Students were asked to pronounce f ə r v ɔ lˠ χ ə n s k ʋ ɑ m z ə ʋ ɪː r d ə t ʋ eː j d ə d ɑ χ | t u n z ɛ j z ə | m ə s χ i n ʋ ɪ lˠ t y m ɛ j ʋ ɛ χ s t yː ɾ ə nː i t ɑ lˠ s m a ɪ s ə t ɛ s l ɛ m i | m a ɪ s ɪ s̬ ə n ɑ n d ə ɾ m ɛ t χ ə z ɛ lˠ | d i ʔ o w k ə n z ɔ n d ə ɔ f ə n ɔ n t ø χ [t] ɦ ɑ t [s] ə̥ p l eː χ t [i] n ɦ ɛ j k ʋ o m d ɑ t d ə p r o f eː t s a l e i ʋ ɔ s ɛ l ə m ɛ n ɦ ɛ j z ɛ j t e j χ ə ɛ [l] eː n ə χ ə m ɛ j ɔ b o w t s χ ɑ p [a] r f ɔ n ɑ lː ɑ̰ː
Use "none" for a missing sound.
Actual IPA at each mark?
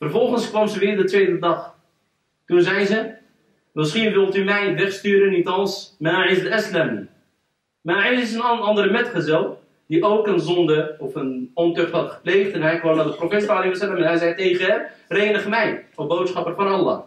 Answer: t, χ, ɛ, r, ə

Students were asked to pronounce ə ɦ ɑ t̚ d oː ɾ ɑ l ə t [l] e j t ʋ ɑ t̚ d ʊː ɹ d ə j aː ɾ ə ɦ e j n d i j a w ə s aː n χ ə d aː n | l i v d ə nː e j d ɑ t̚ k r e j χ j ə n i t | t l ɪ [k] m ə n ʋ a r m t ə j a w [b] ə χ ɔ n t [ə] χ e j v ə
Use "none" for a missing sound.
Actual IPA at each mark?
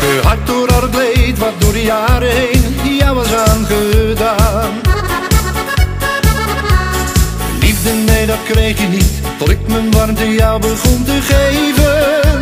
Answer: l, k, b, ə

